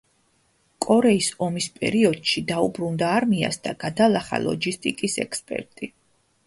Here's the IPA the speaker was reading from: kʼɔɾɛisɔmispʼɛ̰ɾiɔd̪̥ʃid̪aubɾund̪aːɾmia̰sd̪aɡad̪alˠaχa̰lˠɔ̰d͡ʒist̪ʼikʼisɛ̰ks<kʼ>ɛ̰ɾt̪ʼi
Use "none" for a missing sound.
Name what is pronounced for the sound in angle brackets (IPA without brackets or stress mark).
pʼ